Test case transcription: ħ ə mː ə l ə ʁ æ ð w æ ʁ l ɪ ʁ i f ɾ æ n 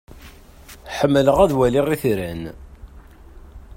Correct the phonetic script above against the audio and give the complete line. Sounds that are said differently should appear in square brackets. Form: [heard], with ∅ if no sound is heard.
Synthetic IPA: ħ ə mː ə l ə ʁ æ ð w æ [∅] l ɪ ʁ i [θ] ɾ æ n